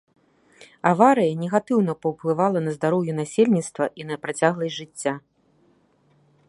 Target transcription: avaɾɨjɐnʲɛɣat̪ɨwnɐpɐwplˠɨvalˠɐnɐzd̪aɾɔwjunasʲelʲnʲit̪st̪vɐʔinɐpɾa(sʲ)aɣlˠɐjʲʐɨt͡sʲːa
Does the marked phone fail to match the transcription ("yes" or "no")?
yes